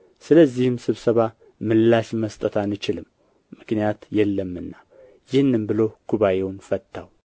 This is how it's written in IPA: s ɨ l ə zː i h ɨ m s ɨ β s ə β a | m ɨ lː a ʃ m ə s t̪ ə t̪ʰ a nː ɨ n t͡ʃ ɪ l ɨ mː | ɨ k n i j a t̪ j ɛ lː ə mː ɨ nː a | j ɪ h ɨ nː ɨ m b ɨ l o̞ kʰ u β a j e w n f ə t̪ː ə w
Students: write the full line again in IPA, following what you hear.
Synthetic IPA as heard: s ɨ l ə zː i h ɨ m s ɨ β s ə β a | m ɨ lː a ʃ m ə s t̪ʼ ə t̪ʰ a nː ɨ t͡ʃ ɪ l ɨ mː | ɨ k n i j a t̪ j ɛ lː ə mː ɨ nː a | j ɪ h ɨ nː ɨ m b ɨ l o̞ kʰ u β a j e w n f ə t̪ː a w